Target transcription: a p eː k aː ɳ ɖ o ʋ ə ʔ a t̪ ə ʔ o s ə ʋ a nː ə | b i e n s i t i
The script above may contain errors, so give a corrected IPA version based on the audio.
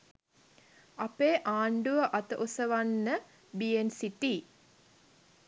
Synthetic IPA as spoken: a p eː ʔ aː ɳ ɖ u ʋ ə ʔ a t̪ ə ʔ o s ə ʋ a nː ə | b i e n s i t i